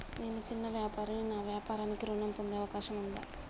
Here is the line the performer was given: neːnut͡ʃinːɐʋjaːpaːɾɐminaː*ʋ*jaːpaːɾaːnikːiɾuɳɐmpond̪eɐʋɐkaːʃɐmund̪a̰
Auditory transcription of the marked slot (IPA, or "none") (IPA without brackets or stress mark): ʋ